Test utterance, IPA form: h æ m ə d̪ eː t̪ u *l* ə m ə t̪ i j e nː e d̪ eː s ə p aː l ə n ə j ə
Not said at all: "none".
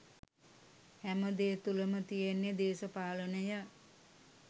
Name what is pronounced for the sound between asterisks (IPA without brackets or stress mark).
l